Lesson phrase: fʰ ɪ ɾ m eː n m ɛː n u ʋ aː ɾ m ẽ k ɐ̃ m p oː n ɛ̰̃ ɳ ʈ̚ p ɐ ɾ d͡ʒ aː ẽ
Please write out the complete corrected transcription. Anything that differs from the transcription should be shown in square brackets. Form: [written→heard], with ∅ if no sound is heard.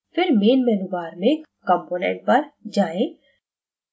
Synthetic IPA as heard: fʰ ɪ ɾ m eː n m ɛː n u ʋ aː ɾ m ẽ k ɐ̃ m p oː n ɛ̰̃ ɳ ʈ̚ p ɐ ɾ d͡ʒ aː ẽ